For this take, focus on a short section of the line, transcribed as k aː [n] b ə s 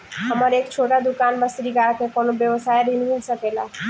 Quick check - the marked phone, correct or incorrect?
correct